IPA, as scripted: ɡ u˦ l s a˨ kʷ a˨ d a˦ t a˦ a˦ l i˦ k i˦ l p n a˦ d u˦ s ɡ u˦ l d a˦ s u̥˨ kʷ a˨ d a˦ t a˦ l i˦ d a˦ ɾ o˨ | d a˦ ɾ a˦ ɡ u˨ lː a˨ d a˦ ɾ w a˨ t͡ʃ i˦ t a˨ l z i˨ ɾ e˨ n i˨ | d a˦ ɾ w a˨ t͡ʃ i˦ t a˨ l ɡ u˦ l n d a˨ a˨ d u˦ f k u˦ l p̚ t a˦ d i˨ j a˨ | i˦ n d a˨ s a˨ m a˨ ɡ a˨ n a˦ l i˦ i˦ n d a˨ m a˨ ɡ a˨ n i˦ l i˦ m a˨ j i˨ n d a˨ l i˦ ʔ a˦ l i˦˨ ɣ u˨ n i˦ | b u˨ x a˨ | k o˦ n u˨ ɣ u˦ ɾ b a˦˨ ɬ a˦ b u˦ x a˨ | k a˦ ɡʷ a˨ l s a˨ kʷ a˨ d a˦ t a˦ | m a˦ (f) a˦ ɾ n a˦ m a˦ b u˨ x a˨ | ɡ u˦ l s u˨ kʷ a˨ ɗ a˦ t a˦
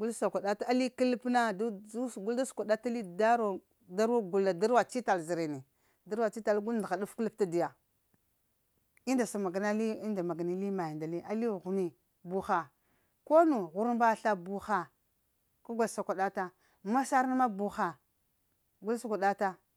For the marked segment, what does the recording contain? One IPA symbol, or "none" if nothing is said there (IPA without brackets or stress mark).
s